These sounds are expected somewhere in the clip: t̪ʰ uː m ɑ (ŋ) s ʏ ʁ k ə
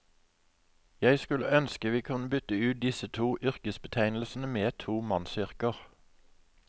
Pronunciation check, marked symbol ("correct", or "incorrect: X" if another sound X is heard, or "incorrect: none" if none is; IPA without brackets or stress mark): incorrect: n